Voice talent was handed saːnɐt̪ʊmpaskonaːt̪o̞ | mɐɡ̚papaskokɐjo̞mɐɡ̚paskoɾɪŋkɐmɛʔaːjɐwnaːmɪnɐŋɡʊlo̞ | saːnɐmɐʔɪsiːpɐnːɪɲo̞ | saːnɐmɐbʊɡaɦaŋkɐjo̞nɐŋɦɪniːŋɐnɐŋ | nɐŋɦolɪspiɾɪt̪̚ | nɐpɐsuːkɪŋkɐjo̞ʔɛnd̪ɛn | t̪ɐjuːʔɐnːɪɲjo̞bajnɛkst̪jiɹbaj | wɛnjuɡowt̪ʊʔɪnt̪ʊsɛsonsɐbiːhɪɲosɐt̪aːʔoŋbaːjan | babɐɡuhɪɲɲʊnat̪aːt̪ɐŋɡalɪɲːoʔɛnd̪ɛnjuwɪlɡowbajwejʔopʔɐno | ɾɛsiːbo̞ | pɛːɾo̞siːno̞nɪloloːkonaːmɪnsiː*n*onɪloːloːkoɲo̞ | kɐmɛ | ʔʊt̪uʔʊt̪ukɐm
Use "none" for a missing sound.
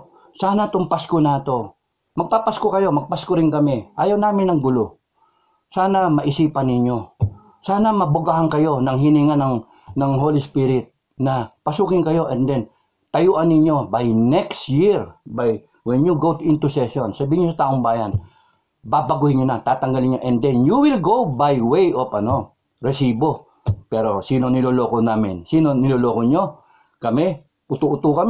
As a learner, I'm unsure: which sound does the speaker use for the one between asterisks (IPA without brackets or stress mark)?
n